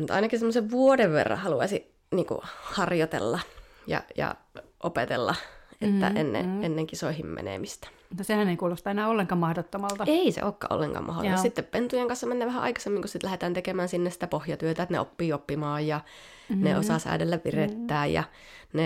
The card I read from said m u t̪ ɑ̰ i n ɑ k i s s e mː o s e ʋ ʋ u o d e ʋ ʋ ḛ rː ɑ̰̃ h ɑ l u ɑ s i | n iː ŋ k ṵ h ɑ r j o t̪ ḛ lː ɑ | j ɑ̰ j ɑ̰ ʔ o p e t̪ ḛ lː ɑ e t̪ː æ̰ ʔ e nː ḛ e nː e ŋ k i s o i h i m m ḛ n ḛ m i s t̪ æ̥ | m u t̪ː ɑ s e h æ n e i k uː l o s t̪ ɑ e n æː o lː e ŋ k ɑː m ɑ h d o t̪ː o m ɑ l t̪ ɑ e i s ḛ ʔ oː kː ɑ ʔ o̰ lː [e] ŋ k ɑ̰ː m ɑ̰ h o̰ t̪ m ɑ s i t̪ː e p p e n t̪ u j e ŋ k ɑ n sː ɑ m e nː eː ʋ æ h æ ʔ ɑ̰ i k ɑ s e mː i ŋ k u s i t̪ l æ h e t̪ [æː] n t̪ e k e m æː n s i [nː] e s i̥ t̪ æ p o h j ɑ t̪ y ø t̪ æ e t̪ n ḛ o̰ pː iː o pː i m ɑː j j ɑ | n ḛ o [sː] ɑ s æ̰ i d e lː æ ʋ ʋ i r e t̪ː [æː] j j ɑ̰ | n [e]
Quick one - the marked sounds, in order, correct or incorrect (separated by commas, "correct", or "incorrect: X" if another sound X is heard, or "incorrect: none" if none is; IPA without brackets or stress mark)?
correct, correct, correct, incorrect: s, correct, correct